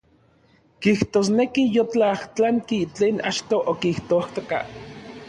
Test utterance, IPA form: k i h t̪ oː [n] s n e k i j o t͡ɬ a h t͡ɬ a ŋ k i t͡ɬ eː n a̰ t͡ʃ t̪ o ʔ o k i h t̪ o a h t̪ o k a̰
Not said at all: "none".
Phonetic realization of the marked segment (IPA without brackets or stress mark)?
none